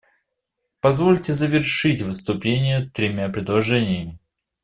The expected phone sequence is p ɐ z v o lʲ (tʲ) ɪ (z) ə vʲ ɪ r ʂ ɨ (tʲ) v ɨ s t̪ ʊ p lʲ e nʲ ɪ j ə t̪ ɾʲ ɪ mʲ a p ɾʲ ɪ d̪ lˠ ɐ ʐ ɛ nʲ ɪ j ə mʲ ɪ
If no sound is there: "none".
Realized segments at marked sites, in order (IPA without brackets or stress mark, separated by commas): tʲ, z, tʲ